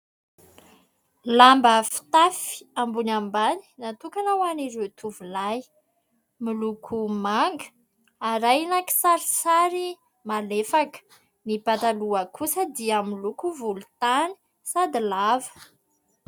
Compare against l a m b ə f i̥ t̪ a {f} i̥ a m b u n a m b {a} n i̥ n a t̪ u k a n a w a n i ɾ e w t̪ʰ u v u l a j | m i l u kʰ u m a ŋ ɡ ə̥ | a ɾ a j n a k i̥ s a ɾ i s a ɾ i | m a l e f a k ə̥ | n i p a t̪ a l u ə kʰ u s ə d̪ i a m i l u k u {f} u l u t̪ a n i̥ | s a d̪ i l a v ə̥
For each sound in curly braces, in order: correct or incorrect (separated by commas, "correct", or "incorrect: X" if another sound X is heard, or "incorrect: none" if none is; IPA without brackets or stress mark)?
correct, correct, incorrect: v